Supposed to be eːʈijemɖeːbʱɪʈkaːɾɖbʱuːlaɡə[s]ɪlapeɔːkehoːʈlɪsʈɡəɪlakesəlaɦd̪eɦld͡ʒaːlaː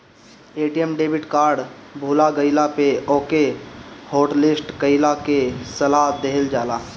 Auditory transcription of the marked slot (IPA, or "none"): none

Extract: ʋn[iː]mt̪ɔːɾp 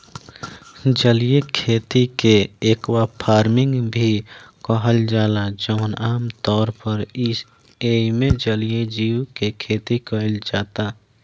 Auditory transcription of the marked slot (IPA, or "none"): aː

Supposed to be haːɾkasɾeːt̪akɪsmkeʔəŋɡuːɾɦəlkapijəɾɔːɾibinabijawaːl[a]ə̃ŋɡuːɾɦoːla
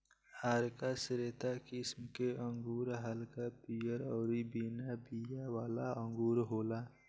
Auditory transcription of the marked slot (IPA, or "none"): a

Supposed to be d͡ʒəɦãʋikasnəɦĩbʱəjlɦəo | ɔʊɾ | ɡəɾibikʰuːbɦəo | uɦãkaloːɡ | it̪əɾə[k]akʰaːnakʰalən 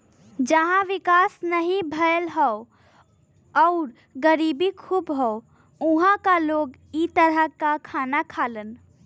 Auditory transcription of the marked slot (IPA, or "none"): k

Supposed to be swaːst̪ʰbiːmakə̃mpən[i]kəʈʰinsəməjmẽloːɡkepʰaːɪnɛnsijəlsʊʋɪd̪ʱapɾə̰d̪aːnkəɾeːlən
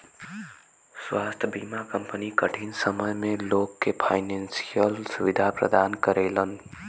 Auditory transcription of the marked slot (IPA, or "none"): i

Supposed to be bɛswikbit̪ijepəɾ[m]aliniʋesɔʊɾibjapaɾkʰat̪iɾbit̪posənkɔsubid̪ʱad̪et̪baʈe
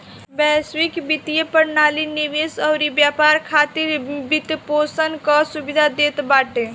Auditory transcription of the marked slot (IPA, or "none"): n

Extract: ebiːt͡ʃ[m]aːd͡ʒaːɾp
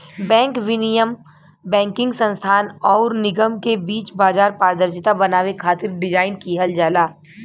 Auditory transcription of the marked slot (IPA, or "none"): b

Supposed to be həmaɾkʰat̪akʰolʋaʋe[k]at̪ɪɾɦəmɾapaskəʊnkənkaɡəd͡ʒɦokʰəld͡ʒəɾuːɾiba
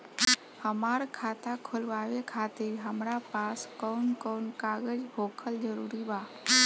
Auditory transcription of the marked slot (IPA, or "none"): kʰ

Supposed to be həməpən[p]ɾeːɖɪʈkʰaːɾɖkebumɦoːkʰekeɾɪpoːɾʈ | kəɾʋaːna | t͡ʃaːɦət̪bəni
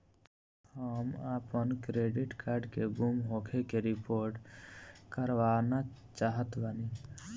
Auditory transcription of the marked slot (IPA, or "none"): k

